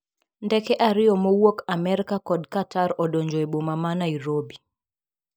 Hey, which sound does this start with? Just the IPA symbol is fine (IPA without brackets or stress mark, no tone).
n